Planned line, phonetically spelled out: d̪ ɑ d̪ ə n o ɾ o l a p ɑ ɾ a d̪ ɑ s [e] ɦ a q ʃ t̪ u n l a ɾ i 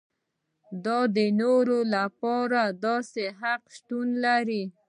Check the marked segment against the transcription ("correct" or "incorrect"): correct